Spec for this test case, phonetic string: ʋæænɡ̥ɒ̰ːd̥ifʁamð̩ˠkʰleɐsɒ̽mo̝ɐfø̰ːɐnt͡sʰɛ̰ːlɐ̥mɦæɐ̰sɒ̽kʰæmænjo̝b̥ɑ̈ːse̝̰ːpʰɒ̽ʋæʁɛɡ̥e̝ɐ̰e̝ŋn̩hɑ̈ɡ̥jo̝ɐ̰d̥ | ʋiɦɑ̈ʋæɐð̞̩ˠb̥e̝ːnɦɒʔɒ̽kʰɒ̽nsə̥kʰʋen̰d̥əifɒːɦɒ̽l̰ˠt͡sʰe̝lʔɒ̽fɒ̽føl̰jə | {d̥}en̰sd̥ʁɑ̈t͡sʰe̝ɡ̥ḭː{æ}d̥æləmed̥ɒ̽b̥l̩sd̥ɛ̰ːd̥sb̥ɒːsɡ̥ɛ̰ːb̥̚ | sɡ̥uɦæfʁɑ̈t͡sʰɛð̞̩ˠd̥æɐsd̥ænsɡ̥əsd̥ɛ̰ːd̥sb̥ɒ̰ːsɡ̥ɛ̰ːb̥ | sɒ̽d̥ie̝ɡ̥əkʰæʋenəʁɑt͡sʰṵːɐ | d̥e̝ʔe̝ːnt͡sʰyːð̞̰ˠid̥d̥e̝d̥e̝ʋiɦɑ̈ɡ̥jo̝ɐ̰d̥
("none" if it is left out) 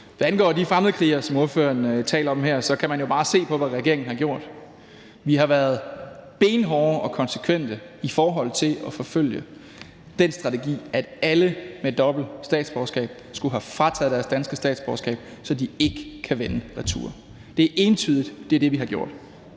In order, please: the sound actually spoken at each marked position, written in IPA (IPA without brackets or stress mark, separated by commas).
d̥, æ